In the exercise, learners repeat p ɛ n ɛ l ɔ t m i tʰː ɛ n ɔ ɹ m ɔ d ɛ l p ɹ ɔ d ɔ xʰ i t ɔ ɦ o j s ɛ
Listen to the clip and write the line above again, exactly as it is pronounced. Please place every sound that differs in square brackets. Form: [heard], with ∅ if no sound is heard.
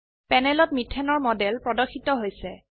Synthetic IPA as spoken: p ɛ n ɛ l ɔ t m i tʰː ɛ n ɔ ɹ m ɔ d ɛ l p ɹ ɔ d ɔ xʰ i t ɔ ɦ o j s ɛ